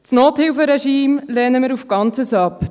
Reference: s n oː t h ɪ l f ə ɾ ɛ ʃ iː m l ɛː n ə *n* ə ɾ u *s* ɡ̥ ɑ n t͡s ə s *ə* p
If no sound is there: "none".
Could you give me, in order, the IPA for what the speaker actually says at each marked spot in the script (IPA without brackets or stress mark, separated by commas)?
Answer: m, f, ɑ